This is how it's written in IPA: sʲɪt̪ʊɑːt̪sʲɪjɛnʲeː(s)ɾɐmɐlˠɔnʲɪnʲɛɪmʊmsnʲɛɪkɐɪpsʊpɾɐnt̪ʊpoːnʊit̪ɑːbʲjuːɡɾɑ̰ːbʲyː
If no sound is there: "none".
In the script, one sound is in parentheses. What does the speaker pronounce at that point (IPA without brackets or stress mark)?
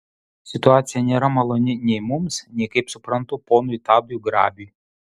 none